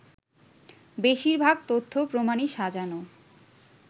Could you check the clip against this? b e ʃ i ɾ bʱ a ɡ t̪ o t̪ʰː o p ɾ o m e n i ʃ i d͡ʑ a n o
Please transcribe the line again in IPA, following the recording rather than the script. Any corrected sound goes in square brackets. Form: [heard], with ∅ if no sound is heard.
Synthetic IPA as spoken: b e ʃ i ɾ bʱ a ɡ t̪ o t̪ʰː o p ɾ o m [a] n i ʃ [a] d͡ʑ a n o